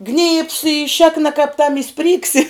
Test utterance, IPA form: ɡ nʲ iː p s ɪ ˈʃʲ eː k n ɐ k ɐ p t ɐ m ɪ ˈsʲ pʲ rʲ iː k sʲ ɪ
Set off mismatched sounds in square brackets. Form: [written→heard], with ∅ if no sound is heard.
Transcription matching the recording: ɡ nʲ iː p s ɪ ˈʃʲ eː k n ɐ k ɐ p t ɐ m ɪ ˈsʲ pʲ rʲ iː k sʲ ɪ